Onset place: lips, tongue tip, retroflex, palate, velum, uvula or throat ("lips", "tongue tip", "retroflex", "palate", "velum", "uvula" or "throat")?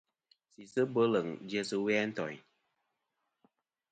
tongue tip